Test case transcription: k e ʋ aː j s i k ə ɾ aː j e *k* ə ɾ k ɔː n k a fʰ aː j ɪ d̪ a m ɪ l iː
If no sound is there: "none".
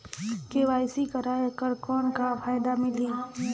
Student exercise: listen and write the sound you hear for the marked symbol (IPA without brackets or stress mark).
k